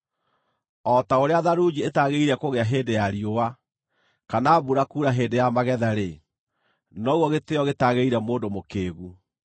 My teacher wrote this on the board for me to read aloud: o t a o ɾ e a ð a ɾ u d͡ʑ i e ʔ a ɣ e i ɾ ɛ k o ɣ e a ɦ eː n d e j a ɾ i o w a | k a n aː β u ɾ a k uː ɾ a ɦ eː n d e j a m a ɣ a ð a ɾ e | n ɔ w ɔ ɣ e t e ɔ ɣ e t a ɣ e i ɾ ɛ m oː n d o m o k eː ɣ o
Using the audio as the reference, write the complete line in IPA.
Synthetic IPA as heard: ɔ t a o ɾ e a ð a ɾ u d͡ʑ i e t a ɣ e i ɾ ɛ k o ɣ e a ɦ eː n d e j a ɾ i o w a | k a n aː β u ɾ a k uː ɾ a ɦ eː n d e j a m a ɣ ɛ ð a ɾ e | n ɔ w ɔ ɣ e t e ɔ ɣ e t a ɣ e i ɾ ɛ m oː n d o m o k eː ɣ u